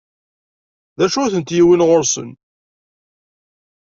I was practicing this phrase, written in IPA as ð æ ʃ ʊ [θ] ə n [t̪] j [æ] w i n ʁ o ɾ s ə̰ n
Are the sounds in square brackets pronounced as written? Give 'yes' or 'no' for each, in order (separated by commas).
yes, yes, no